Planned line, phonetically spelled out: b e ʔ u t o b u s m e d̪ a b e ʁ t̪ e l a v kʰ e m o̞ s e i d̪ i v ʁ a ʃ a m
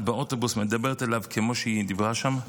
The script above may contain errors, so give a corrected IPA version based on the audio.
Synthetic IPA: b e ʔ o t o b u s m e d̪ a b e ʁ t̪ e l a v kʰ e m o̞ ʃ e i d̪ i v ʁ a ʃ a m